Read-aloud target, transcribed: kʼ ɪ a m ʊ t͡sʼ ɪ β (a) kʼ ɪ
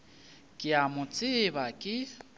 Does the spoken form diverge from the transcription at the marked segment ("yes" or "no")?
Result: no